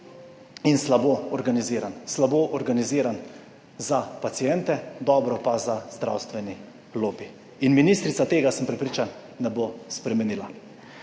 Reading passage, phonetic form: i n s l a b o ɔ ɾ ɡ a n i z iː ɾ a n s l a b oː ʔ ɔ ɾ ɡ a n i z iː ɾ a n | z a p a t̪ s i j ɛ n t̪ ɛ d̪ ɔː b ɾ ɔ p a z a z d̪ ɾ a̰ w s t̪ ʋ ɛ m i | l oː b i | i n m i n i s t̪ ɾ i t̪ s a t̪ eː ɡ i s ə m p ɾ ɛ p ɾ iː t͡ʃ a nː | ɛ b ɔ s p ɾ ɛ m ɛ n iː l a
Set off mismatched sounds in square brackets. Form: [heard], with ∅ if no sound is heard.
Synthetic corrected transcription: i n s l a b o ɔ ɾ ɡ a n i z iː ɾ a n s l a b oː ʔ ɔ ɾ ɡ a n i z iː ɾ a n | z a p a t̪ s i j ɛ n t̪ ɛ d̪ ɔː b ɾ ɔ p a z a z d̪ ɾ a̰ w s t̪ ʋ ɛ [n] i | l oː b i | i n m i n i s t̪ ɾ i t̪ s a t̪ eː ɡ [a] s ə m p ɾ ɛ p ɾ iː t͡ʃ a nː | ɛ b [o] s p ɾ ɛ m ɛ n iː l a